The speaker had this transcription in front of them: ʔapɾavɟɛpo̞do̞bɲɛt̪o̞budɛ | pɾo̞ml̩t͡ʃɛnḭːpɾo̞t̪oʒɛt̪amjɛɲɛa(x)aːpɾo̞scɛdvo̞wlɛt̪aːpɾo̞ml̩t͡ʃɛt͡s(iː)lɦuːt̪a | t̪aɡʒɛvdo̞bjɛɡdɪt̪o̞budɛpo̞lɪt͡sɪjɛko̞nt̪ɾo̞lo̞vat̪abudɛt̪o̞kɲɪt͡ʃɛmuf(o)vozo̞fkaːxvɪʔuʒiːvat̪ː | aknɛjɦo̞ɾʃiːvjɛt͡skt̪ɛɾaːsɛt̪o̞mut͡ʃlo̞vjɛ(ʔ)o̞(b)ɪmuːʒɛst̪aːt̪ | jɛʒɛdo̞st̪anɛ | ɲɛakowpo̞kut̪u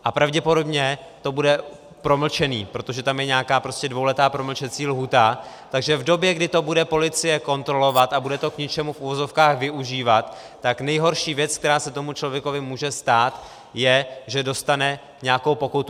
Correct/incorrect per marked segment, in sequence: incorrect: k, correct, incorrect: u, incorrect: k, incorrect: v

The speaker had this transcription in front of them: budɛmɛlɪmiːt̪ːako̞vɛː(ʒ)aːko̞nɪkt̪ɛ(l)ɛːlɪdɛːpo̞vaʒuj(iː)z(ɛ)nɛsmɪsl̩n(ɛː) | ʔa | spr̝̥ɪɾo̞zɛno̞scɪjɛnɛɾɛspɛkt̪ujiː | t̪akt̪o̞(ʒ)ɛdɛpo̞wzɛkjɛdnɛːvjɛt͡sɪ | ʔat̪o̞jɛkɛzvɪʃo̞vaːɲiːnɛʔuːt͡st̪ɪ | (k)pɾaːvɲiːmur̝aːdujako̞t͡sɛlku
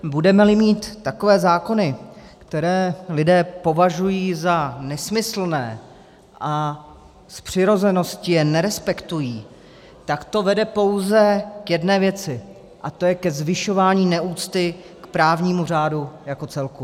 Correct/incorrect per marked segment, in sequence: incorrect: z, incorrect: ɾ, correct, incorrect: a, correct, incorrect: v, correct

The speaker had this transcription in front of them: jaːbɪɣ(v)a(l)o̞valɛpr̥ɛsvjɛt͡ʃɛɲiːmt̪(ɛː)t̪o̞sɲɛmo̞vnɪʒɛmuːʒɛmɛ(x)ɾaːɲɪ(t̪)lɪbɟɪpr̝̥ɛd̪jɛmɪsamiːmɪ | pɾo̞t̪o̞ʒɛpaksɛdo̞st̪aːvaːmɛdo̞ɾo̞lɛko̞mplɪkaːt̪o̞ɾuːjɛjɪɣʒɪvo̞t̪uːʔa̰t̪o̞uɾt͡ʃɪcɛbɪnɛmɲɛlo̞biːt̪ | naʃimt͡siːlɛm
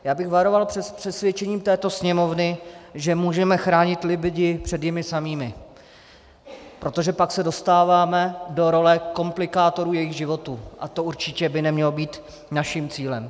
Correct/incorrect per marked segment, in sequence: correct, incorrect: ɾ, correct, correct, correct

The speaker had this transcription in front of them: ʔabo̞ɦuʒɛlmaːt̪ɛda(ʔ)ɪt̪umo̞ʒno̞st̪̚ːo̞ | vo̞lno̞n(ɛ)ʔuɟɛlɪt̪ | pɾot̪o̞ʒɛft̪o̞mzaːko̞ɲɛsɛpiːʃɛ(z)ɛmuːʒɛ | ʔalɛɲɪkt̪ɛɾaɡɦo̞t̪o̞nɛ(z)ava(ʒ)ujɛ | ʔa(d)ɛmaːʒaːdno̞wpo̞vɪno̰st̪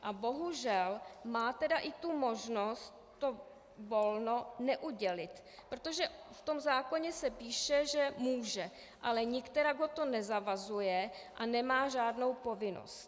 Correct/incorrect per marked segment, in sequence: correct, correct, incorrect: ʒ, correct, incorrect: z, incorrect: n

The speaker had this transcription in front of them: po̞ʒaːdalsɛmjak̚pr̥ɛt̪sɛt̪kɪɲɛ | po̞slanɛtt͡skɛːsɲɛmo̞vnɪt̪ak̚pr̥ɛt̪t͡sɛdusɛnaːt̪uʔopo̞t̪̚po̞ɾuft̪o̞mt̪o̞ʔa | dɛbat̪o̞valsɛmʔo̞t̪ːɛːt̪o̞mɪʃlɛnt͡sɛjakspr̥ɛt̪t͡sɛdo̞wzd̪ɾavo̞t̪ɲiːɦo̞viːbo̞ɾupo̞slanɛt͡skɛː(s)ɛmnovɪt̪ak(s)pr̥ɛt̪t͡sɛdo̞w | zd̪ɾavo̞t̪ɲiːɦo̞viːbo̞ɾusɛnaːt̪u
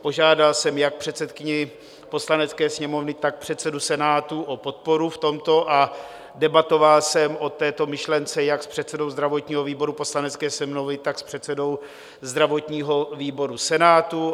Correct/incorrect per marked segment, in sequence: correct, correct

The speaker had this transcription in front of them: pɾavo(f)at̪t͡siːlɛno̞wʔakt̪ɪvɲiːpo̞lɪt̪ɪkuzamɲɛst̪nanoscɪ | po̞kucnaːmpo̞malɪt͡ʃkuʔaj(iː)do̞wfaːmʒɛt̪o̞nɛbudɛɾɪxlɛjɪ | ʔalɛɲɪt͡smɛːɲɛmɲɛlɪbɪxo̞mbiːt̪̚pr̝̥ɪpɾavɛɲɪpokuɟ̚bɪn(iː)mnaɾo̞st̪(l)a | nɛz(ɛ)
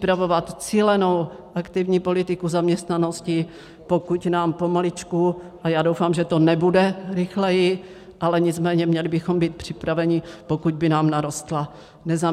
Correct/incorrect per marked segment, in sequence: incorrect: v, incorrect: aː, incorrect: aː, correct, incorrect: a

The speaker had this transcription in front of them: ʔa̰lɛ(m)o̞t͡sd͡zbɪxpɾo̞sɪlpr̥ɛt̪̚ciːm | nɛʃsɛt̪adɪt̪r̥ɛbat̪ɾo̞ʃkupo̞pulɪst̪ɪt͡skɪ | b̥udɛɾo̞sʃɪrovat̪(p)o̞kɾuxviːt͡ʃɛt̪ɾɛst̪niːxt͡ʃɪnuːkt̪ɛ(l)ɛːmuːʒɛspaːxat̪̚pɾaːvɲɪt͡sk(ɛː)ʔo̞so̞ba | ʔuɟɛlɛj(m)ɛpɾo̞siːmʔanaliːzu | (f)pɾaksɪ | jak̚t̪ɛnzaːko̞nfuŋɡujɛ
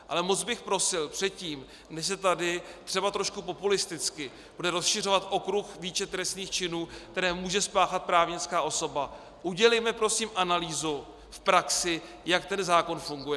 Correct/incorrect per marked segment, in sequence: correct, incorrect: ʔ, incorrect: ɾ, incorrect: aː, correct, correct

